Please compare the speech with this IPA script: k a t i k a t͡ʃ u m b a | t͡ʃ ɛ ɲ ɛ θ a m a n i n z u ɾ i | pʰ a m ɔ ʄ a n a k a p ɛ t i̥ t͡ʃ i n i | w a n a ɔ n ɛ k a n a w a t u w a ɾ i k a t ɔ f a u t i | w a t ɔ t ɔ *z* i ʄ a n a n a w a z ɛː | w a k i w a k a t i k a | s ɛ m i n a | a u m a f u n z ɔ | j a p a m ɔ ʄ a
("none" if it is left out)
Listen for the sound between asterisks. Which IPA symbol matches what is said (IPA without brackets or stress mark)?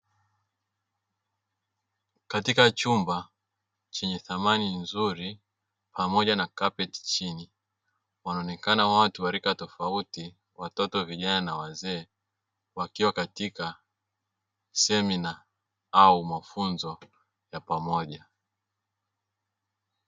v